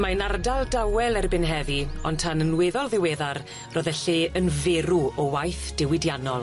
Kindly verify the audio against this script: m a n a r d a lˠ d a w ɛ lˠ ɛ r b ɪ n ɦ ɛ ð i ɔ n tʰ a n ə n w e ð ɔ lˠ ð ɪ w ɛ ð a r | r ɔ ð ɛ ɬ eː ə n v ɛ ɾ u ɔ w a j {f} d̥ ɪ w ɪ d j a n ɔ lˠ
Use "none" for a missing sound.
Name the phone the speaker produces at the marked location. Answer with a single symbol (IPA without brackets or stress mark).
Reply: θ